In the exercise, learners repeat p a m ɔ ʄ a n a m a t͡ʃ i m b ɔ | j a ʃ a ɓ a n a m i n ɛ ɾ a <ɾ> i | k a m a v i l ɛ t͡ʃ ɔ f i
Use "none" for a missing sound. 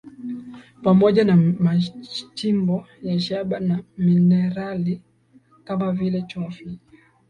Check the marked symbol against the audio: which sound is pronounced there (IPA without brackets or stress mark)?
l